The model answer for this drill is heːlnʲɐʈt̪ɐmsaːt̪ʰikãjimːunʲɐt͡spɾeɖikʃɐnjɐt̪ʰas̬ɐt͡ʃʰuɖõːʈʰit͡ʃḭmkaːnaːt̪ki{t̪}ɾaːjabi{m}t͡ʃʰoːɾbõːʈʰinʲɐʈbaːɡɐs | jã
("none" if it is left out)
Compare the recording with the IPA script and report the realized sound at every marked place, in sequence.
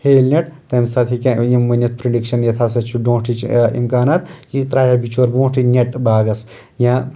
t̪, none

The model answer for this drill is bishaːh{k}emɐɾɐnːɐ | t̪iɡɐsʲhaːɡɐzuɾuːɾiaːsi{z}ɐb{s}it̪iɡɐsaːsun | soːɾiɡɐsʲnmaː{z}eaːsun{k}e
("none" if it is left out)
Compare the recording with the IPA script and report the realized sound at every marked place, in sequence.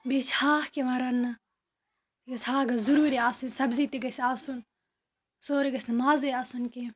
k, s, z, z, k

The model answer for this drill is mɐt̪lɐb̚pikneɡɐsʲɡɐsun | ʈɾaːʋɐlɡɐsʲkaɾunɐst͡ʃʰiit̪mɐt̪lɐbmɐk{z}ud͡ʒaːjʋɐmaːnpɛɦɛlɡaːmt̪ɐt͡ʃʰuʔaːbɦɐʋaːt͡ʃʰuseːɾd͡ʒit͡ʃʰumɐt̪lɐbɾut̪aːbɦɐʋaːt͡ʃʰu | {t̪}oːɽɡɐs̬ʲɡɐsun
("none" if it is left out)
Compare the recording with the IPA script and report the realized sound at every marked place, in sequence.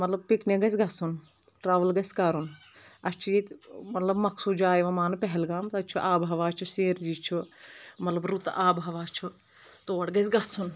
s, t̪

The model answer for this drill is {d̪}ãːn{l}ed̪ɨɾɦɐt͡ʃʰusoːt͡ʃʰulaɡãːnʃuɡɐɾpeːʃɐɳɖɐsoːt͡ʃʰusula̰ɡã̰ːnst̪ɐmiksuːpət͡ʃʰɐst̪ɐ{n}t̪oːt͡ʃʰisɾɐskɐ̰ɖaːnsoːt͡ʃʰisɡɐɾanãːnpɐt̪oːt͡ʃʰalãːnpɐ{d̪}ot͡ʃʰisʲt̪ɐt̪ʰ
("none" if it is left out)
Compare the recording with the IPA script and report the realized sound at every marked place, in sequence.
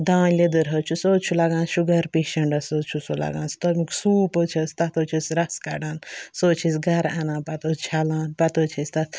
d̪, l, none, t̪

